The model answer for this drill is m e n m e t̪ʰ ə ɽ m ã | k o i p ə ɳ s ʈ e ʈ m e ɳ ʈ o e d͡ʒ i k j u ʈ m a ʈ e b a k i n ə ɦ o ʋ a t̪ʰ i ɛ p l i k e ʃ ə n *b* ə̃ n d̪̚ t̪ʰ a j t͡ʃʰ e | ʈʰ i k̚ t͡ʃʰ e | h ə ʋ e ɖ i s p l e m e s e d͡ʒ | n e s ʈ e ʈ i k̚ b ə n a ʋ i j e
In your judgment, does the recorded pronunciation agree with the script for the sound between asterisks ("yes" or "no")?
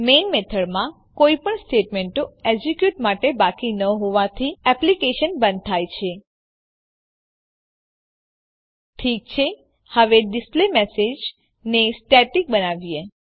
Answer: yes